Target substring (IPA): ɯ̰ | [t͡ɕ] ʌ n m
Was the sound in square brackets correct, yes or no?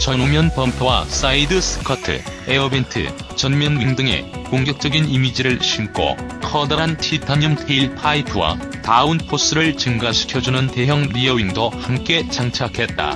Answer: yes